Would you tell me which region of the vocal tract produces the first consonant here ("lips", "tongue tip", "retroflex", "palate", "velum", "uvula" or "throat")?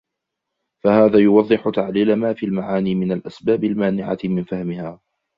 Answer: lips